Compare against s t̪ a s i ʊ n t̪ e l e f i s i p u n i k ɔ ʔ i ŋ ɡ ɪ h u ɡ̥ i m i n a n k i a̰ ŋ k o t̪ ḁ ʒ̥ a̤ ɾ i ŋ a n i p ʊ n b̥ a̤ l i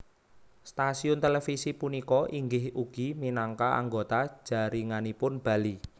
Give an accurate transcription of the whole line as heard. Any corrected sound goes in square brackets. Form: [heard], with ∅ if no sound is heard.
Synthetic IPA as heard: s t̪ a s i ʊ n t̪ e l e f i s i p u n i k ɔ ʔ i ŋ ɡ ɪ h u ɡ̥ i m i n a [ŋ] k [a] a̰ ŋ [ɡ] o t̪ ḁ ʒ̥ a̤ ɾ i ŋ a n i p ʊ n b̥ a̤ l i